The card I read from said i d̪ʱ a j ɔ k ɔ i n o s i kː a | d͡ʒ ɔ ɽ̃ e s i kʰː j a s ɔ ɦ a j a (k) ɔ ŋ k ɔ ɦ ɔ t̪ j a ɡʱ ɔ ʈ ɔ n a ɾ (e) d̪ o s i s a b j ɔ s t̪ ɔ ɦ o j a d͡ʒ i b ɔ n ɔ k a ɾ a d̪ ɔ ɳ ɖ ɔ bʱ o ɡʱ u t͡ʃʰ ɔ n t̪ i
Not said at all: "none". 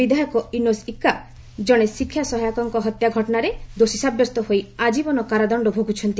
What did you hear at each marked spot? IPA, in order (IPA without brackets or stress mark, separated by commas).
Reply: k, e